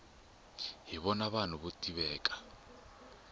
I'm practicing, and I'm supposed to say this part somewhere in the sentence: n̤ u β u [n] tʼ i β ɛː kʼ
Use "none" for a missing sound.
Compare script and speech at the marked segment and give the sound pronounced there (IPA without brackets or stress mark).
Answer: none